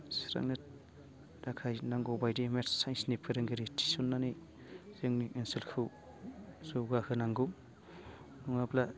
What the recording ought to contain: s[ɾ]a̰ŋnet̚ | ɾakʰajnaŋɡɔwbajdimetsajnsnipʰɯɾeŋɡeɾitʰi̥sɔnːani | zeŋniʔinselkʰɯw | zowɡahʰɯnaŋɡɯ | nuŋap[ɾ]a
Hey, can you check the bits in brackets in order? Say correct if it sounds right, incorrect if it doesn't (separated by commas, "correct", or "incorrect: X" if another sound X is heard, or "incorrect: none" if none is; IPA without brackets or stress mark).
correct, incorrect: l